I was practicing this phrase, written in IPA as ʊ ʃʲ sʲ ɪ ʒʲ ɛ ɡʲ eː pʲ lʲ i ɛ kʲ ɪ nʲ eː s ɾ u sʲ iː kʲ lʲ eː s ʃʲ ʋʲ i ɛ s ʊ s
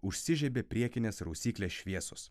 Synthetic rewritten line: ʊ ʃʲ sʲ ɪ ʒʲ ɛ bʲ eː pʲ ɾʲ i ɛ kʲ ɪ nʲ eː s ɾ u sʲ iː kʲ lʲ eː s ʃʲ ʋʲ i ɛ s ʊ s